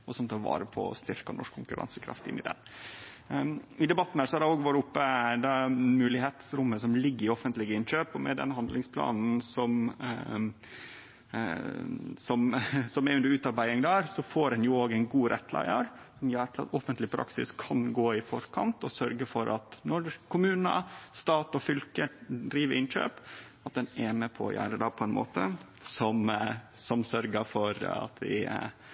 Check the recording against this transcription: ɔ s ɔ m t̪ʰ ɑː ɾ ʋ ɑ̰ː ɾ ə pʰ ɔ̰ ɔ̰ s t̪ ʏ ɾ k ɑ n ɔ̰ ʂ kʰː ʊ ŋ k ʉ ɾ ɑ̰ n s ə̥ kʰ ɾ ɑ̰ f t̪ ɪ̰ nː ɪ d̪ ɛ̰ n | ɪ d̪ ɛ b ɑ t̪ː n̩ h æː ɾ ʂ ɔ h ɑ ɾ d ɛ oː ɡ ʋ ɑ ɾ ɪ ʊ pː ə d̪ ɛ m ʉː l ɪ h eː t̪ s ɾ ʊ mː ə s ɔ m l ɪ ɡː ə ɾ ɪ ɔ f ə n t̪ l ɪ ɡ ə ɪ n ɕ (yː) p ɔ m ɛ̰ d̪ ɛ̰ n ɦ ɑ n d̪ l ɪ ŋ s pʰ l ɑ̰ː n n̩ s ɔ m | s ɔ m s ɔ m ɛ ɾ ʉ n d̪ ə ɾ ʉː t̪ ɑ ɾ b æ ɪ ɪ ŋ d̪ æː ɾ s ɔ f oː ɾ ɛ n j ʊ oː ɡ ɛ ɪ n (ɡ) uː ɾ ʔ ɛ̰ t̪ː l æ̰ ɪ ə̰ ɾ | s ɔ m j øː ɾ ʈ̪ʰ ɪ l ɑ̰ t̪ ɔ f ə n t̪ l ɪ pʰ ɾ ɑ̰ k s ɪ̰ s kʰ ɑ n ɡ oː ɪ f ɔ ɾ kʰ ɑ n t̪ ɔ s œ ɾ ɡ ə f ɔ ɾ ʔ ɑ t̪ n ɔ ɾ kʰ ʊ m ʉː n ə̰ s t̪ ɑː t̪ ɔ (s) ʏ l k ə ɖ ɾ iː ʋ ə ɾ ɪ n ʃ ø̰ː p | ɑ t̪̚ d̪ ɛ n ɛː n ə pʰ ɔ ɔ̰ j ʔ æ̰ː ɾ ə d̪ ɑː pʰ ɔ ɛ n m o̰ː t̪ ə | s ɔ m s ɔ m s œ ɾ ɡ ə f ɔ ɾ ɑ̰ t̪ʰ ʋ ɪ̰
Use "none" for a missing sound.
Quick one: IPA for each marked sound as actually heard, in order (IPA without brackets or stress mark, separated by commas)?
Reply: øː, ɡ, f